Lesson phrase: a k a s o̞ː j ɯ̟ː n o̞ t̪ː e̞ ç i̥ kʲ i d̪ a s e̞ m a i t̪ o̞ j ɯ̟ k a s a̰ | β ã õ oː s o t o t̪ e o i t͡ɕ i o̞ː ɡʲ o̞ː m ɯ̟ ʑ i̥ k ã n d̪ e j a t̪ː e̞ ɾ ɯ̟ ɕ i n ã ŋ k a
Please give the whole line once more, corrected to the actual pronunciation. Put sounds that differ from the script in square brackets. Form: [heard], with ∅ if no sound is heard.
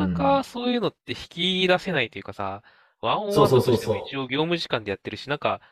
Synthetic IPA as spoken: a k a s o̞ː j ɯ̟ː n o̞ t̪ː e̞ ç i̥ kʲ i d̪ a s e̞ [n] a i t̪ o̞ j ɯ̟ k a s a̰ | β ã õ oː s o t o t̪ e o i t͡ɕ i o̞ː ɡʲ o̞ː m ɯ̟ ʑ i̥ k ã n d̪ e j a t̪ː e̞ ɾ ɯ̟ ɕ i n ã ŋ k a